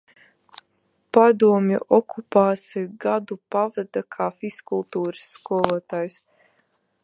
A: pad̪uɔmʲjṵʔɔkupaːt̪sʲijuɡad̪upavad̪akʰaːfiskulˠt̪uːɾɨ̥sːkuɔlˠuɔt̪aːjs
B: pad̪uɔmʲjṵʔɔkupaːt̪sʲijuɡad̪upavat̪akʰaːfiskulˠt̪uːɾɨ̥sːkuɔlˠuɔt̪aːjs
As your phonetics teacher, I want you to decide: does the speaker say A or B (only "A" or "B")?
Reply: A